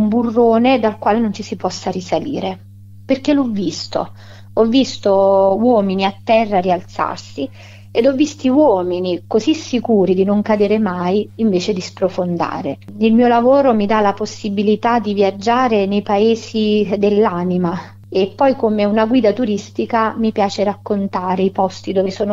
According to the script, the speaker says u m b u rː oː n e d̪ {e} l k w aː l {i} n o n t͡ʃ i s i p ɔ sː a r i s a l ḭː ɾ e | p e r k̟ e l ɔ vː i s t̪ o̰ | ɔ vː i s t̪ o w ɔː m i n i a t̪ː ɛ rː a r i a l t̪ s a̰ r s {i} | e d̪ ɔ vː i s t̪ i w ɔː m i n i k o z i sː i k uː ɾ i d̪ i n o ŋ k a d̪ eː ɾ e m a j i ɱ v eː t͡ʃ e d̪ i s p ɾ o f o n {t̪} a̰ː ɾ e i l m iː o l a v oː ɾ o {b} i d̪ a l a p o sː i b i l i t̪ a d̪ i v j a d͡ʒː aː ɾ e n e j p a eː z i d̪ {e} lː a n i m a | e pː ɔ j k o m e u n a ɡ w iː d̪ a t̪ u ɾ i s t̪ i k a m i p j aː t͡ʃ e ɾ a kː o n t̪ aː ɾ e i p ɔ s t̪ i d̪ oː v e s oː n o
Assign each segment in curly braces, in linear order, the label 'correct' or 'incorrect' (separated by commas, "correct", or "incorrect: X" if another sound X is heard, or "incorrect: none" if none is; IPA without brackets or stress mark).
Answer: incorrect: a, incorrect: e, correct, incorrect: d̪, incorrect: m, correct